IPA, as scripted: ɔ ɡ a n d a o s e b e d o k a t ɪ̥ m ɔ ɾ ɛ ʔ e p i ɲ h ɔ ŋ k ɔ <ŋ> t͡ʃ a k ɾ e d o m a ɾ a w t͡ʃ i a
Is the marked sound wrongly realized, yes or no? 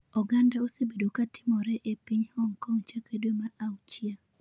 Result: no